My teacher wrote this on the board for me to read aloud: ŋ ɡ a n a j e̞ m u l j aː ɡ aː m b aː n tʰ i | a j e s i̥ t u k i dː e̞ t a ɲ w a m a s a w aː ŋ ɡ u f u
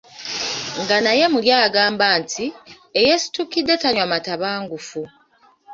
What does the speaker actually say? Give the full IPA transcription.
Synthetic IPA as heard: ŋ ɡ a n a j e̞ m u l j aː ɡ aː m b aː n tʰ i | e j e s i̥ t u k i dː e̞ t a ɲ w a m a t a β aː ŋ ɡ u f u